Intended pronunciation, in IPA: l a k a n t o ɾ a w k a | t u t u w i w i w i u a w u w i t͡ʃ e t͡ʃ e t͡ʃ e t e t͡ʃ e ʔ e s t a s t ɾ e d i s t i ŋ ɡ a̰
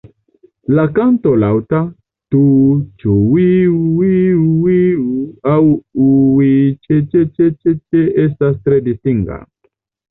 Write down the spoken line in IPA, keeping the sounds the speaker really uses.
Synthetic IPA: l a k a n t o l a w t a | t u t͡ʃ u w i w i w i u a w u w i t͡ʃ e t͡ʃ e t͡ʃ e t͡ʃ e t͡ʃ e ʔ e s t a s t ɾ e d i s t i ŋ ɡ a̰

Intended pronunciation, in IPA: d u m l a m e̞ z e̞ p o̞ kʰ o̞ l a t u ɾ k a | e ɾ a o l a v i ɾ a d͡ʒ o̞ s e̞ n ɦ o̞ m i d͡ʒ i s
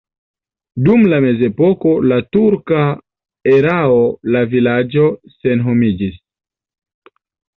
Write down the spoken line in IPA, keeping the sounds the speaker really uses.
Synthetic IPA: d u m l a m e̞ z e̞ p o̞ k o̞ l a t u ɾ k a | e ɾ a o l a v i l a d͡ʒ o̞ s e̞ n ɦ o̞ m i d͡ʒ i s

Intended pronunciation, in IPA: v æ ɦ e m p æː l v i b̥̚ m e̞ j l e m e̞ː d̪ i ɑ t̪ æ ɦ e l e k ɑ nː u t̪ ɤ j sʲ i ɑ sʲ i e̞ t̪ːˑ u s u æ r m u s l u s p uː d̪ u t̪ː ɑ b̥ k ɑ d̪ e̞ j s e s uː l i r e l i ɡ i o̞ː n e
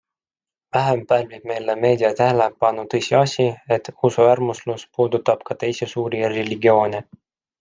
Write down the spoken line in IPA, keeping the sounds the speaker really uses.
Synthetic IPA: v æ ɦ e m p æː l v i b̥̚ m e̞ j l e m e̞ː d̪ i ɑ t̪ æ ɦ e l e p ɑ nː u t̪ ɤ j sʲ i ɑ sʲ i e̞ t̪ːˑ u s u æ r m u s l u s p uː d̪ u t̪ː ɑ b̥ k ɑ t̪ e̞ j s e s uː ɾ i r e l i ɡ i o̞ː n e

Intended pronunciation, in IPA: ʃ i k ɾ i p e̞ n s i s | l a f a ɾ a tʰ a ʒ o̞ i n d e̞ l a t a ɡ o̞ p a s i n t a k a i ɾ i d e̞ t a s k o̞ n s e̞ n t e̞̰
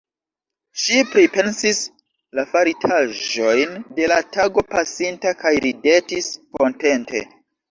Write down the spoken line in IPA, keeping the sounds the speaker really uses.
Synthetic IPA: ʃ i p ɾ i p e̞ n s i s | l a f a ɾ i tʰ a ʒ o̞ j n d e̞ l a t a ɡ o̞ p a s i n t a k a j ɾ i d e̞ t i s k o̞ n t e̞ n t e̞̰

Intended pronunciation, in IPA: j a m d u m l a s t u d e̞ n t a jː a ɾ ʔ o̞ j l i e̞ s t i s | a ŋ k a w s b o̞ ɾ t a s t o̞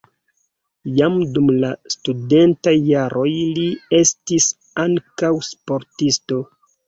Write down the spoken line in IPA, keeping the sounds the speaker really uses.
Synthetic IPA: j a m d u m l a s t u d e̞ n t a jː a ɾ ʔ o̞ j l i e̞ s t i s | a ŋ k a w s p o̞ ɾ t i s t o̞

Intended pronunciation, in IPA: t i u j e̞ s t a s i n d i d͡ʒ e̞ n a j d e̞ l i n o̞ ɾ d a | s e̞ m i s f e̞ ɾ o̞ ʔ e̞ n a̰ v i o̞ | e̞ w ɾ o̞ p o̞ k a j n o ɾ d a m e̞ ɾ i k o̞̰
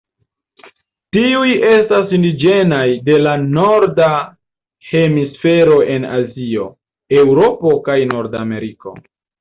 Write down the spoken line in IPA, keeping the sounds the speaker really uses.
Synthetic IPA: t i u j e̞ s t a s i n d i d͡ʒ e̞ n a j d e̞ l a n o̞ ɾ d a | h e̞ m i s f e̞ ɾ o̞ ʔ e̞ n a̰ z i o̞ | e̞ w ɾ o̞ p o̞ k a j n o ɾ d a m e̞ ɾ i k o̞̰

